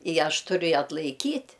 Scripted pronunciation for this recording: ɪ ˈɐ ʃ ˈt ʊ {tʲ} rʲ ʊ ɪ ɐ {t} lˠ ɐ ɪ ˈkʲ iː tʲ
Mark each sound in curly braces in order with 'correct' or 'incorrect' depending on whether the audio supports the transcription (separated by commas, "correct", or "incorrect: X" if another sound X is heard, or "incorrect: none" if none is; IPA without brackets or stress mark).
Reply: incorrect: none, correct